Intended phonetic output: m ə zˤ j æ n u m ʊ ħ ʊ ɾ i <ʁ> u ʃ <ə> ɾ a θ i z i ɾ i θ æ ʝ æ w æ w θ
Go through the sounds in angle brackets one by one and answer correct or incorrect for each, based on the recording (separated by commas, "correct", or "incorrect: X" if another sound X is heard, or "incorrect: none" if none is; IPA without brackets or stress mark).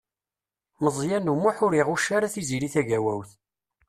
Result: correct, incorrect: a